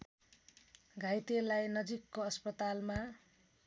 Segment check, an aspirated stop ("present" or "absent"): absent